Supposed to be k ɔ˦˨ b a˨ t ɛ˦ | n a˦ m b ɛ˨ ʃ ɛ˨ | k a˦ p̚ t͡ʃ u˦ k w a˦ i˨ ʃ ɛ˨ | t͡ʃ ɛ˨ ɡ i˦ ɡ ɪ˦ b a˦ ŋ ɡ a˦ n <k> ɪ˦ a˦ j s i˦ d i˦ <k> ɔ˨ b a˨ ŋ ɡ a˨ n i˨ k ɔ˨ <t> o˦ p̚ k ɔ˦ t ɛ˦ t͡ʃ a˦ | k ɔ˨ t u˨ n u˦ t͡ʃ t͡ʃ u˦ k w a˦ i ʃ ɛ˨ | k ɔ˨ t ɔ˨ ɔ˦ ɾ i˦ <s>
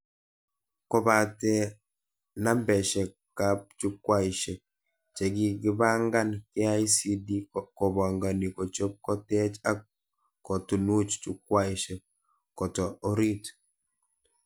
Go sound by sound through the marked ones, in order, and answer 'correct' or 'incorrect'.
correct, correct, incorrect: t͡ʃ, incorrect: t

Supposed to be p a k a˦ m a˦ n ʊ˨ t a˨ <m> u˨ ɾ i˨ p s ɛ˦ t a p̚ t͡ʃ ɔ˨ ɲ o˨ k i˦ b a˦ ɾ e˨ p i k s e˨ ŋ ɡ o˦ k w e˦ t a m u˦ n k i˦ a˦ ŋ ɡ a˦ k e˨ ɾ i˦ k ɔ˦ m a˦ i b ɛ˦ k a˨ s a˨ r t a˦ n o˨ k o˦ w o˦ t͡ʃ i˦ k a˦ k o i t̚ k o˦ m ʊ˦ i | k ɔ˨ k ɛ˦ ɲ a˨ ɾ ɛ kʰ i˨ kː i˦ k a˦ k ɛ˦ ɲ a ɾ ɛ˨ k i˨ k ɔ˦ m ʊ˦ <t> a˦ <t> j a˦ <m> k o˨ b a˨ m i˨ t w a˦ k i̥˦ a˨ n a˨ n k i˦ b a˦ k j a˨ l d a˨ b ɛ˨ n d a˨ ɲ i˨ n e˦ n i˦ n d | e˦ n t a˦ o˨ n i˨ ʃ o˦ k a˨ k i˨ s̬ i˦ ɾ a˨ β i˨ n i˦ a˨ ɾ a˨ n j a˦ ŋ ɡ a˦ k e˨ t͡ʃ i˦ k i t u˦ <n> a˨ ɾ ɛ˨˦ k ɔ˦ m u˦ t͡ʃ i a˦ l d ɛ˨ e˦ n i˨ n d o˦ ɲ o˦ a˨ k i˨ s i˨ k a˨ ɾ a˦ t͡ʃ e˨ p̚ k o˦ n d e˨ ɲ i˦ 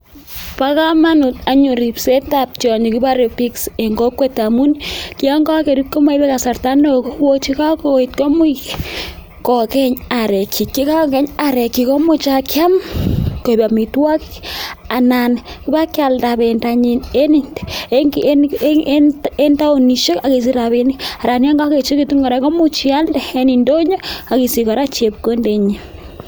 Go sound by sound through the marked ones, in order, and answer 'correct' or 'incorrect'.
incorrect: ɲ, incorrect: t͡ʃ, incorrect: k, correct, incorrect: ŋ

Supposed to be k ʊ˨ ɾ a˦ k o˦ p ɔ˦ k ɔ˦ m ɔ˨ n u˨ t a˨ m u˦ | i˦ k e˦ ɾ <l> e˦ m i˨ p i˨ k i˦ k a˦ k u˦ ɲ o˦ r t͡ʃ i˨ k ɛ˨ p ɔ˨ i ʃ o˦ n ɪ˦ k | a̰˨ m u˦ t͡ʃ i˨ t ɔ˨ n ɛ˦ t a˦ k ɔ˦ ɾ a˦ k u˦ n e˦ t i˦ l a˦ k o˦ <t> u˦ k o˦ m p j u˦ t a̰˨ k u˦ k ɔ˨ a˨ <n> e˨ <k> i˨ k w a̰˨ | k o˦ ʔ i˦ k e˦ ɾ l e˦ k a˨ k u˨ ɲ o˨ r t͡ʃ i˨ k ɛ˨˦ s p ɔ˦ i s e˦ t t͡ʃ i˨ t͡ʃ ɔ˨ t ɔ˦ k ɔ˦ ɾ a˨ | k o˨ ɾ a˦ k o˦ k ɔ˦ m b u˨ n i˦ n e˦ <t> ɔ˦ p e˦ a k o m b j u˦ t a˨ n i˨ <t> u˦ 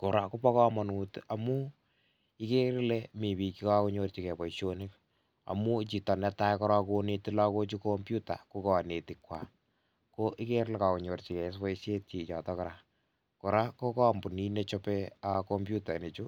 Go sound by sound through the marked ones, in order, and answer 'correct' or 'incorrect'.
correct, incorrect: t͡ʃ, correct, incorrect: t, incorrect: t͡ʃ, incorrect: t͡ʃ

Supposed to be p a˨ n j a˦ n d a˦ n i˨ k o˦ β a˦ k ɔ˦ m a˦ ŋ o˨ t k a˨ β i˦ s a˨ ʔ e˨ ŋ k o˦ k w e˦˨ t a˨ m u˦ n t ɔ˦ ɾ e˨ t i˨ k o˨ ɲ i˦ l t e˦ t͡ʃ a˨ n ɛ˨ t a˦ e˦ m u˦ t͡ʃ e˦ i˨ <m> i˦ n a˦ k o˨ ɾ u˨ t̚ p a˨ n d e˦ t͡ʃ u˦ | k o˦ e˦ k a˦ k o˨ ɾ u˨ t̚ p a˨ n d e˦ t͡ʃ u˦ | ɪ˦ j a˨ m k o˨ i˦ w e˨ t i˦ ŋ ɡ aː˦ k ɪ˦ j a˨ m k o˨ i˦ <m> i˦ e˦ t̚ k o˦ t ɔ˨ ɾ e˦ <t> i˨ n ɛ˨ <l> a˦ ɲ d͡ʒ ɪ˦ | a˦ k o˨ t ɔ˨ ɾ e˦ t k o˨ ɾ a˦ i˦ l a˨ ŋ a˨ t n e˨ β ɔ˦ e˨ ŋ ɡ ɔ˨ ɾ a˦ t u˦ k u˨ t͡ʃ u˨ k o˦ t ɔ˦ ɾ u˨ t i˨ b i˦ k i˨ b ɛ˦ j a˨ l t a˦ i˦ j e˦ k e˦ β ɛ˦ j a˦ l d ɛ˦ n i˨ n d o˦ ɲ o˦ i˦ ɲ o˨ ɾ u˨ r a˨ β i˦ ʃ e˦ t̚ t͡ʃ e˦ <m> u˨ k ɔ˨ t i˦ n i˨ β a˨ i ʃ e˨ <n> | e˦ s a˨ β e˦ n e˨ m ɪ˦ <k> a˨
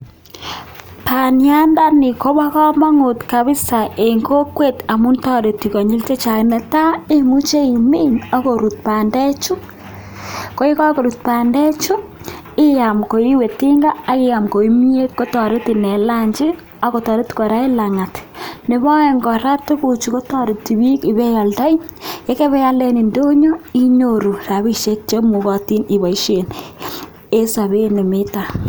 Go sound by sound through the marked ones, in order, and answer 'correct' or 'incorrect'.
correct, correct, correct, correct, correct, correct, incorrect: t

